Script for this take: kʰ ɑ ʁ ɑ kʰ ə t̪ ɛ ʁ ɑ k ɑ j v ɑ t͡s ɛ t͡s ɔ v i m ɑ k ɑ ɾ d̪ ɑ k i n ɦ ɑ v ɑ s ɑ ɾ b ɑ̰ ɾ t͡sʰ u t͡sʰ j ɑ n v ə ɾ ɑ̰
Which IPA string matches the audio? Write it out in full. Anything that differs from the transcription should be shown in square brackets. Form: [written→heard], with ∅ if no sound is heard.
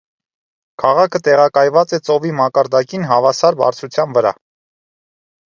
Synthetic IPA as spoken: kʰ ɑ ʁ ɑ kʰ ə t̪ ɛ ʁ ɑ k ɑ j v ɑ t͡s ɛ t͡s ɔ v i m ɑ k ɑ ɾ d̪ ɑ k i n ɦ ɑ v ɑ s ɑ ɾ b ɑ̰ ɾ t͡sʰ u t͡sʰ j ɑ n v ə ɾ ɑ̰